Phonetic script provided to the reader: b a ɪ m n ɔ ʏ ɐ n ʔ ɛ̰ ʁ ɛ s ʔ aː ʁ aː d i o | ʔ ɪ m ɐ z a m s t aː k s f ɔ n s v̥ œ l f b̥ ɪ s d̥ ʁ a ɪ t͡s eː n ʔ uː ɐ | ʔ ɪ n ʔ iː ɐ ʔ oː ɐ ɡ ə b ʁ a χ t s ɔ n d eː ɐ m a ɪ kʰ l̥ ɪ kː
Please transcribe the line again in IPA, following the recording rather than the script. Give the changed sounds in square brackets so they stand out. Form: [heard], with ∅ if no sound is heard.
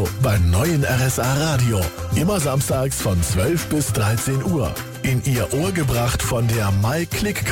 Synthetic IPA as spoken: b a ɪ m n ɔ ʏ [ə] n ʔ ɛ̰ ʁ ɛ s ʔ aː ʁ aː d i o | ʔ ɪ m ɐ z a m s t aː k s f ɔ n [t͡s] v̥ œ l f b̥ ɪ s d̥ ʁ a ɪ t͡s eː n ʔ uː ɐ | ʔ ɪ n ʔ iː ɐ ʔ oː ɐ ɡ ə b ʁ a χ t [f] ɔ n d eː ɐ m a ɪ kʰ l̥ ɪ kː